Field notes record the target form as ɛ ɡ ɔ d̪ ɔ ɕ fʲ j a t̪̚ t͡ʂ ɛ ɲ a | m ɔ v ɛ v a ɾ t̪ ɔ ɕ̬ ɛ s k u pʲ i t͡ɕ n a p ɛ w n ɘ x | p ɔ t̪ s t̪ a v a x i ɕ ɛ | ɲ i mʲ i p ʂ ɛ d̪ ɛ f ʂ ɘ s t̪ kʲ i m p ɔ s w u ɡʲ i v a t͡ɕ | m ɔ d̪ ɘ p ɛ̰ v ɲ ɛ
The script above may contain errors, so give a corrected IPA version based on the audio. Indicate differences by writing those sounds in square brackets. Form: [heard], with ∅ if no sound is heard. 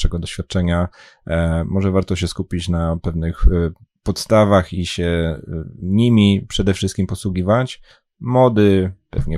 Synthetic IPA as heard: ɛ ɡ ɔ d̪ ɔ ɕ fʲ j a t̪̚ t͡ʂ ɛ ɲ a | m ɔ [ʐ] ɛ v a ɾ t̪ ɔ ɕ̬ ɛ s k u pʲ i t͡ɕ n a p ɛ [v] n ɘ x | p ɔ t̪ s t̪ a v a x i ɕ ɛ | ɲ i mʲ i p ʂ ɛ d̪ ɛ f ʂ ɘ s t̪ kʲ i m p ɔ s w u ɡʲ i v a t͡ɕ | m ɔ d̪ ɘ p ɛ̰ v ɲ ɛ